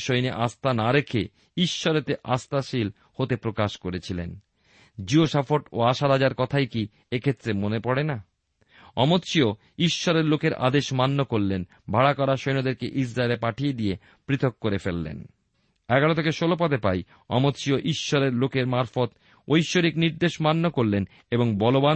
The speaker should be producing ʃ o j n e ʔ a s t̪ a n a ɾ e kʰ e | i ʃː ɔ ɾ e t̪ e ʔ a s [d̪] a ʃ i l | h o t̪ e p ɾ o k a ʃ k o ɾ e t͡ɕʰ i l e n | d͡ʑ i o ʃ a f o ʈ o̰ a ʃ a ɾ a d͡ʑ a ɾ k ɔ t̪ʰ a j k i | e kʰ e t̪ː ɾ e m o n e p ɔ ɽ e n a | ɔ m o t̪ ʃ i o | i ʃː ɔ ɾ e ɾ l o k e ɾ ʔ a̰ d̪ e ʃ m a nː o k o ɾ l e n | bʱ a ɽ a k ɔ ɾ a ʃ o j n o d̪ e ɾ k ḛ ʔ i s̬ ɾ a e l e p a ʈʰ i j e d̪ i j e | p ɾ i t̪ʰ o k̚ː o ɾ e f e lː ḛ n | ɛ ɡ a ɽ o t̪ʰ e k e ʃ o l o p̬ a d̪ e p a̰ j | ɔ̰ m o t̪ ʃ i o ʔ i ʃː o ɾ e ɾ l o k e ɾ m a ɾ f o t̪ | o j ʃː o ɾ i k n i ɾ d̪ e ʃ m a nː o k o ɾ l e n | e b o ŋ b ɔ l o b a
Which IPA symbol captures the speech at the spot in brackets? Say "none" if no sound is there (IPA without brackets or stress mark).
t̪